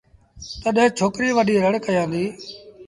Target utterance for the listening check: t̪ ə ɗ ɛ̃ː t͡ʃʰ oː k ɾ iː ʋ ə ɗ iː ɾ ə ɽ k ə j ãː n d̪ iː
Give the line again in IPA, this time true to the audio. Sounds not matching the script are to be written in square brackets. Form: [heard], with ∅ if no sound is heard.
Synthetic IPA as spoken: t̪ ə ɗ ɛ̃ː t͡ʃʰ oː k ɾ iː ʋ ə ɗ iː ɾ ə ɽ k ə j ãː n d̪ iː